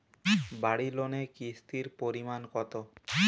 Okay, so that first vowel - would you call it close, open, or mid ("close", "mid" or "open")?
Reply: open